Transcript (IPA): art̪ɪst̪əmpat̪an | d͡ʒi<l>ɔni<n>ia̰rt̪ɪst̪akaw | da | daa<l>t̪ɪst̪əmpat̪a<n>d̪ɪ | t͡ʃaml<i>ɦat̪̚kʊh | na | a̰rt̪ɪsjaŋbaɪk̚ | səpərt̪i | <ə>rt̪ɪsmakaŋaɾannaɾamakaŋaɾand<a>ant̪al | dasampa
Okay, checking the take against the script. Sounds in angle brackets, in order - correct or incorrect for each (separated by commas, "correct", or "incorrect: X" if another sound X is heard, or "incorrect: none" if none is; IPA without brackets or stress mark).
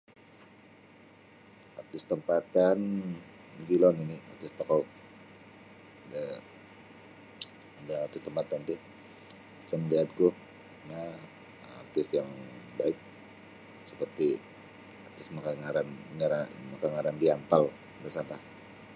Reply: correct, correct, incorrect: r, correct, correct, incorrect: a, incorrect: i